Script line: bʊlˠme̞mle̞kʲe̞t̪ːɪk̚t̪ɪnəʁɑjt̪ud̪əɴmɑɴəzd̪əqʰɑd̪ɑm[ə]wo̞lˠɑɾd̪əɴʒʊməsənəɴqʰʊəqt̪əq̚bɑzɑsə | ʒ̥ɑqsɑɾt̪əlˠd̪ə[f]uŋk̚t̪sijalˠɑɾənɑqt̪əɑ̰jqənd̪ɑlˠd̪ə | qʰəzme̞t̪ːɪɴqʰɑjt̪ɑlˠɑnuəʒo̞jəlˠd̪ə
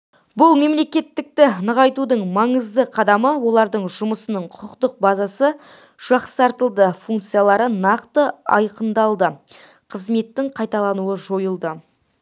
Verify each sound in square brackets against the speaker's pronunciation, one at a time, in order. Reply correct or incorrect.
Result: correct, correct

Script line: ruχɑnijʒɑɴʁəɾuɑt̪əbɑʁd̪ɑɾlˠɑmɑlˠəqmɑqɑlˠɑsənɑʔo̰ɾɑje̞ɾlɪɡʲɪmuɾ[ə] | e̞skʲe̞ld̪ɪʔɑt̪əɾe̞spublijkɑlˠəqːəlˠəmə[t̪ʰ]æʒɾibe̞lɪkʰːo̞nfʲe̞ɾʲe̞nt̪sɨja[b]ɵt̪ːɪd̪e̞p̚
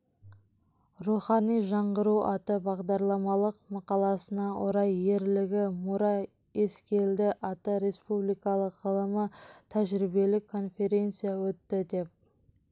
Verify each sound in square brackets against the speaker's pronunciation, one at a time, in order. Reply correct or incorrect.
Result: incorrect, correct, incorrect

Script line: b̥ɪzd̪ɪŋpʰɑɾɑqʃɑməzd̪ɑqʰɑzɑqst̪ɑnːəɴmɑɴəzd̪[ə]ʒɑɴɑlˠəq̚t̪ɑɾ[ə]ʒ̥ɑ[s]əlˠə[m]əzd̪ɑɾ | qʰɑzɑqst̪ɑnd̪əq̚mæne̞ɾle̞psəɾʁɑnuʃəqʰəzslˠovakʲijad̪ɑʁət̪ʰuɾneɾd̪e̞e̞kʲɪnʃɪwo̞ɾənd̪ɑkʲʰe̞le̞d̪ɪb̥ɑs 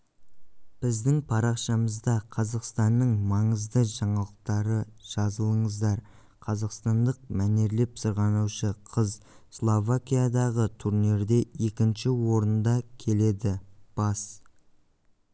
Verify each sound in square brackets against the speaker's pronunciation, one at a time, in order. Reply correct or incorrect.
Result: correct, correct, incorrect, incorrect

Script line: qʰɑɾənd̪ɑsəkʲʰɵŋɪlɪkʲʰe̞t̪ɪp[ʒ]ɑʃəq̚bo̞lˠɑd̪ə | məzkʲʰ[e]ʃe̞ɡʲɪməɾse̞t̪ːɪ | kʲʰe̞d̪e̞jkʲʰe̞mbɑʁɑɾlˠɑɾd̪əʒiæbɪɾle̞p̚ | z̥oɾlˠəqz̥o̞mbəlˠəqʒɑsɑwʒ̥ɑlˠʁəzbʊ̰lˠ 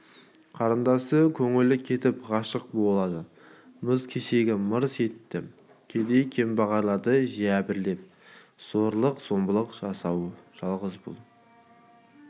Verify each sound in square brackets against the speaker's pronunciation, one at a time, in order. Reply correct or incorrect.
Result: incorrect, correct

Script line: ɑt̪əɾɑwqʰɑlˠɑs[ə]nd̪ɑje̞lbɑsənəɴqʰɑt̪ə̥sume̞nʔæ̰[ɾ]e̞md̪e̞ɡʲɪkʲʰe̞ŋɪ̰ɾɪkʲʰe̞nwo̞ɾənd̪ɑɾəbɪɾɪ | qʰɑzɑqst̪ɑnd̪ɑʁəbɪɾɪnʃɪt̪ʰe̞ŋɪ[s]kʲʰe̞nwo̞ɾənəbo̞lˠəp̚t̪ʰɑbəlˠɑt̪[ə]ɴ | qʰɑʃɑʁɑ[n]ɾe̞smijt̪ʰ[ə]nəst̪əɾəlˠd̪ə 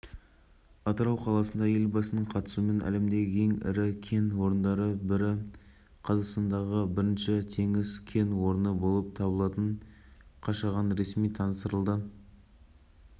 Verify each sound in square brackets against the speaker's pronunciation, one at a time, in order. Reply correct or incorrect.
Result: correct, incorrect, incorrect, correct, correct, incorrect

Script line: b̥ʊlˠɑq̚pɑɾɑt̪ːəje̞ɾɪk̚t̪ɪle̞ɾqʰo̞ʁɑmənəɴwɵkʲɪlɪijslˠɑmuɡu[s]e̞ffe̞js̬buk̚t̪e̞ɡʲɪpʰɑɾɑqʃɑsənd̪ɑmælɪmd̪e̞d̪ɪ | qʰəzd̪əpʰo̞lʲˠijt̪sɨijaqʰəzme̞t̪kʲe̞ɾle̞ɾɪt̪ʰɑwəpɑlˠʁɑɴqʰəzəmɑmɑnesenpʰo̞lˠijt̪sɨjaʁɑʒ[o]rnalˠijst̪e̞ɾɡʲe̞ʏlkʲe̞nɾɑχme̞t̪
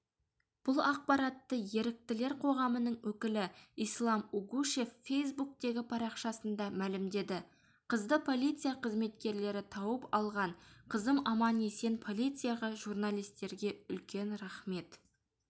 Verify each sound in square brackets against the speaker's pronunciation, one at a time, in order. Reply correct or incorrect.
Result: incorrect, incorrect

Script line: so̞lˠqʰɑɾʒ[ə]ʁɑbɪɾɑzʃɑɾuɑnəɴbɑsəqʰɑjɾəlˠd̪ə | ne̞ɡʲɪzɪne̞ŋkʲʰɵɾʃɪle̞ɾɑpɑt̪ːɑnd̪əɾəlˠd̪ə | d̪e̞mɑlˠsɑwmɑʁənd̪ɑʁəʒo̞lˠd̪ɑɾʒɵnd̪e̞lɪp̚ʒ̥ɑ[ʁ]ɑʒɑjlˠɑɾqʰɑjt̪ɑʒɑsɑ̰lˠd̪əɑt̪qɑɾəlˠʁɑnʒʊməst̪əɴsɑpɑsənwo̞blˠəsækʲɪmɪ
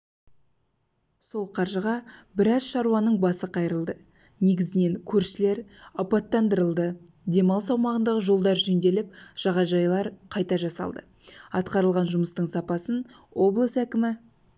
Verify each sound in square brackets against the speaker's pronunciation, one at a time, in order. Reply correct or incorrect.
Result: correct, correct

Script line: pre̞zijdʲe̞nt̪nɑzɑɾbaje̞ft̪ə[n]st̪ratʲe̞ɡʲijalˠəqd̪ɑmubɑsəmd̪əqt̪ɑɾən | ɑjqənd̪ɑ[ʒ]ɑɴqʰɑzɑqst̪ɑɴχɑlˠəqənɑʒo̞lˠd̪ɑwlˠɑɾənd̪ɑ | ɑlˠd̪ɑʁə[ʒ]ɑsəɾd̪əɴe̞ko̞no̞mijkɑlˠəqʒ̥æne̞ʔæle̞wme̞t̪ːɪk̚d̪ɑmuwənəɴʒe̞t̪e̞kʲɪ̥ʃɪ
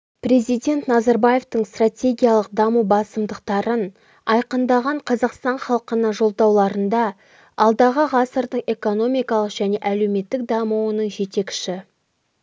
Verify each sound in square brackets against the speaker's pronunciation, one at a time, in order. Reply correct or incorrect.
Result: incorrect, incorrect, incorrect

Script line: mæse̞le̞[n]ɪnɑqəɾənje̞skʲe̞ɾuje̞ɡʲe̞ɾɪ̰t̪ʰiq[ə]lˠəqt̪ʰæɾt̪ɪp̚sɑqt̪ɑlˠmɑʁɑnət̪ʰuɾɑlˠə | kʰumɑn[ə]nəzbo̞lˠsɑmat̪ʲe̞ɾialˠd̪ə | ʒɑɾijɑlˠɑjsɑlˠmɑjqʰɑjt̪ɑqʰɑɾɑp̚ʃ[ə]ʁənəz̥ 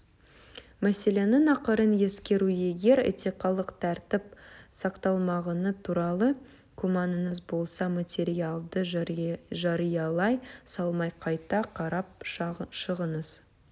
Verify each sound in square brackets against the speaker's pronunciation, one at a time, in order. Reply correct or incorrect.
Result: correct, incorrect, correct, correct

